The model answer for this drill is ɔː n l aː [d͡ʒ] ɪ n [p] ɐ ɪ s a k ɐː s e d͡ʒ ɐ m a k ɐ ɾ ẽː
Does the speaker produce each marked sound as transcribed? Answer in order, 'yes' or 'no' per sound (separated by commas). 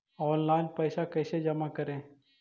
no, yes